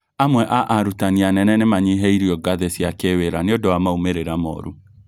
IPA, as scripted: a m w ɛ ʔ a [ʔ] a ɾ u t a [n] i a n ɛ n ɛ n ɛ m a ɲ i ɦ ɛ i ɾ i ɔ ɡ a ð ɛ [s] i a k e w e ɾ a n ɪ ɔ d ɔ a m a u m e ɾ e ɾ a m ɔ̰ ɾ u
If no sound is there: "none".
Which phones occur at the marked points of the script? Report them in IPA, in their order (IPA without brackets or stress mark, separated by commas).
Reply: ʔ, n, s